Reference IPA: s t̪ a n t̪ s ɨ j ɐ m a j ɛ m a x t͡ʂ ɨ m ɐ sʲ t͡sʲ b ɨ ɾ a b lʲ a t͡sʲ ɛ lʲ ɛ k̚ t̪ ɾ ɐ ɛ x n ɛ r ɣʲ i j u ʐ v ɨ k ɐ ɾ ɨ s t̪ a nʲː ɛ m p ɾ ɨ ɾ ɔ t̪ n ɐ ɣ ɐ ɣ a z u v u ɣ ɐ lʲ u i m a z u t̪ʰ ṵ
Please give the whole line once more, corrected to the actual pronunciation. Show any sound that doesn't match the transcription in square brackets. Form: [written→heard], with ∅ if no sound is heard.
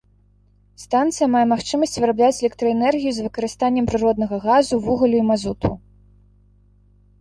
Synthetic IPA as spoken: s t̪ a n t̪ s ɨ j ɐ m a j ɛ m a x t͡ʂ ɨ m ɐ sʲ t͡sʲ [b→v] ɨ ɾ a b lʲ a t͡sʲ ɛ lʲ ɛ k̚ t̪ ɾ ɐ ɛ [x→∅] n ɛ r ɣʲ i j u [ʐ→z] v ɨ k ɐ ɾ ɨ s t̪ a nʲː ɛ m p ɾ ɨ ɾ ɔ [t̪→d̪] n ɐ ɣ ɐ ɣ a z u v u ɣ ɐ lʲ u i m a z u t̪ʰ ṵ